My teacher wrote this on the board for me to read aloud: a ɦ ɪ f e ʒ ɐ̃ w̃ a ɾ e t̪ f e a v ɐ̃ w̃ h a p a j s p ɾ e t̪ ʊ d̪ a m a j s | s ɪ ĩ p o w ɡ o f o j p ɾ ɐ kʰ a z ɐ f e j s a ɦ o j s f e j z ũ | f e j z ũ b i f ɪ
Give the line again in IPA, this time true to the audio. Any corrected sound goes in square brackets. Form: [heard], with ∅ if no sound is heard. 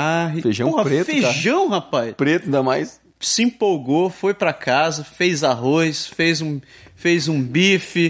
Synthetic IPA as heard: a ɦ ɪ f e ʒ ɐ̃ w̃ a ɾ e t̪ f e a [ʒ] ɐ̃ w̃ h a p a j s p ɾ e t̪ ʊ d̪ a m a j s | s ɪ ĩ p o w ɡ o f o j p ɾ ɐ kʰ a z ɐ f e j [z] a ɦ o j s f e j z ũ | f e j z ũ b i f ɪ